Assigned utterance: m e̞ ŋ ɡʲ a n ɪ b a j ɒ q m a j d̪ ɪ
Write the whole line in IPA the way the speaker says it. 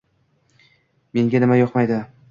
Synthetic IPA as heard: m e̞ ŋ ɡʲ a n ɪ m a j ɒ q m a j d̪ ɪ